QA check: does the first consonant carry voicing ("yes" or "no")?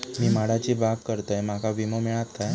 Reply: yes